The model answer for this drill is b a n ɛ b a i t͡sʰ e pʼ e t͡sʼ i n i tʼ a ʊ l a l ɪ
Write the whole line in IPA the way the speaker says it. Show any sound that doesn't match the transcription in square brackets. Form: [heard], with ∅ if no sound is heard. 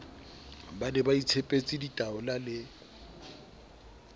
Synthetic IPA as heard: b a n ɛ b a i t͡sʰ e pʼ e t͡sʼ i [d] i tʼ a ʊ l a l ɪ

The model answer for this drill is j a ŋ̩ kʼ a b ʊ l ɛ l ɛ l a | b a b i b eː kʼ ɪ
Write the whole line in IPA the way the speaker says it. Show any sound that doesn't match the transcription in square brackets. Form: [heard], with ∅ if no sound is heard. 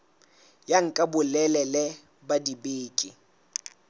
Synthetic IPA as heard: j a ŋ̩ kʼ a b ʊ l ɛ l ɛ l [ɛ] | b a [d] i b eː kʼ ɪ

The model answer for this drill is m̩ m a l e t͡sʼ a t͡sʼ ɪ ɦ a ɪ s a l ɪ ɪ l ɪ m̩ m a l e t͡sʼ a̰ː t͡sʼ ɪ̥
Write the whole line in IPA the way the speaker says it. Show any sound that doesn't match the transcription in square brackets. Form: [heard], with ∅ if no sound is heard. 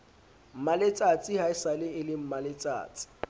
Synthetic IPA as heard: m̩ m a l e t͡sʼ a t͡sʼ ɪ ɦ a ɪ s a l ɪ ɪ l ɪ m̩ m a l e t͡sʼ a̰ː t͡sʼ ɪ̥

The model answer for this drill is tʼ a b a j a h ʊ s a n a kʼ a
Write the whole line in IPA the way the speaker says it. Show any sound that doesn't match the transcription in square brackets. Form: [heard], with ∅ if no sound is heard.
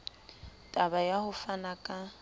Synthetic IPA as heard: tʼ a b a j a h ʊ [f] a n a kʼ a

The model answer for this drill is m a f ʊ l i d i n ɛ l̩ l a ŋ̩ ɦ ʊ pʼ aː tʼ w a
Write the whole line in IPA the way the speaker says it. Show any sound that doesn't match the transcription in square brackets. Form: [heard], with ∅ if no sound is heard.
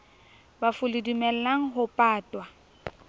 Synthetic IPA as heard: [b] a f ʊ l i d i [m] ɛ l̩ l a ŋ̩ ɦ ʊ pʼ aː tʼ w a

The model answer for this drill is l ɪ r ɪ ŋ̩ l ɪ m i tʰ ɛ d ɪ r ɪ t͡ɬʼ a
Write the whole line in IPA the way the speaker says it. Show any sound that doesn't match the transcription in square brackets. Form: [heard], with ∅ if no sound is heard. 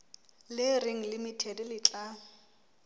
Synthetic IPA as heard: l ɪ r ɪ ŋ̩ l ɪ m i tʰ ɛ d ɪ [l] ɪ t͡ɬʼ a

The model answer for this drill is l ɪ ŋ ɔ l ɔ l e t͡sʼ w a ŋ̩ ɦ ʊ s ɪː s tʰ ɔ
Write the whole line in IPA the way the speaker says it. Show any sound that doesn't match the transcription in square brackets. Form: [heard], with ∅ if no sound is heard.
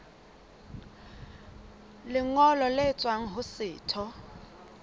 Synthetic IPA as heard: l ɪ ŋ ɔ l ɔ l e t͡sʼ w a ŋ̩ ɦ ʊ s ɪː [∅] tʰ ɔ

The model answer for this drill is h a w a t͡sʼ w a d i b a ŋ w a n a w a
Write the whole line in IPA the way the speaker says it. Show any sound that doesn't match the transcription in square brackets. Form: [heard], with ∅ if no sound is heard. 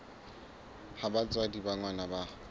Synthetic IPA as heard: h a [b] a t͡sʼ w a d i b a ŋ w a n a [b] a

